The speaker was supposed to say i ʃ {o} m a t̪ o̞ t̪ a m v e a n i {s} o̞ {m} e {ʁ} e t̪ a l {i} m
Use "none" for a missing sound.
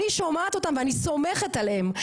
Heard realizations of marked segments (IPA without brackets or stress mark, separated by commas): o, s, m, χ, e